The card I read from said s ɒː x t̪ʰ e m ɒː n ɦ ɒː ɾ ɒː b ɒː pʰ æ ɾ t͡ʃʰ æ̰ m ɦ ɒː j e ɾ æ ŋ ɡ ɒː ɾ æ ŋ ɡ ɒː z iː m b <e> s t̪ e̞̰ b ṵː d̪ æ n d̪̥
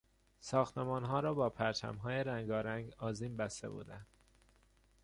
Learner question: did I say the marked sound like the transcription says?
no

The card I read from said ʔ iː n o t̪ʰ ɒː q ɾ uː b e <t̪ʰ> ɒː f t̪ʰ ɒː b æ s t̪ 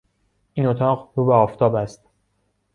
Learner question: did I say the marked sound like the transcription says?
no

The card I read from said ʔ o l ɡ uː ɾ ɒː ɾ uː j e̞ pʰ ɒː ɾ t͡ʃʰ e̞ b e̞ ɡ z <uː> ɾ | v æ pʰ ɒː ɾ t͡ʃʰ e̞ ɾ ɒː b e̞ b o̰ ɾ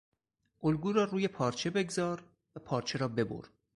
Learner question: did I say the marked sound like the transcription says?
no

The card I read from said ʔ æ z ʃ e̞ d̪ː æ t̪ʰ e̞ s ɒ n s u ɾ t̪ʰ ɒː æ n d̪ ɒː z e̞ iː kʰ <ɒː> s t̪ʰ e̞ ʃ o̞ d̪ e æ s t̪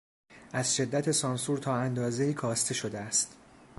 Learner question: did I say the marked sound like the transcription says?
yes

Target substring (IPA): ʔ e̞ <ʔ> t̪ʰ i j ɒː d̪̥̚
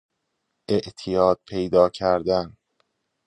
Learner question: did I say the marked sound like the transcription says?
yes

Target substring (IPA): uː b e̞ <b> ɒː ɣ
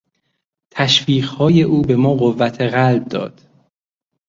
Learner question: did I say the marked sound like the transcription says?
no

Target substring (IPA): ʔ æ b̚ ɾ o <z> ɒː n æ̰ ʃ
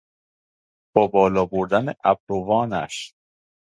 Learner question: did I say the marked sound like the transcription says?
no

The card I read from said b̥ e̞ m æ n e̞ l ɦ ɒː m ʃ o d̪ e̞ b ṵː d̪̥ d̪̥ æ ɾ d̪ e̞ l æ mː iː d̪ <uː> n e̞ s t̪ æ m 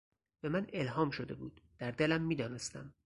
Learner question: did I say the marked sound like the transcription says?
no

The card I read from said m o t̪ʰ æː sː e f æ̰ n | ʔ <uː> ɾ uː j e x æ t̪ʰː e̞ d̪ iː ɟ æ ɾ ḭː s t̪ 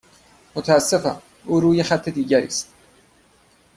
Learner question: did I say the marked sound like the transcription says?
yes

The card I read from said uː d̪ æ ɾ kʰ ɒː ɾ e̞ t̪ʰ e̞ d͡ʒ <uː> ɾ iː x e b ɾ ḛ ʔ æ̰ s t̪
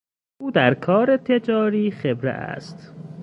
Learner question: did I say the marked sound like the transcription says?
no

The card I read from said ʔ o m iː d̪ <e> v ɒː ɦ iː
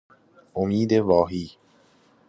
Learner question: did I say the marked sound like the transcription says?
yes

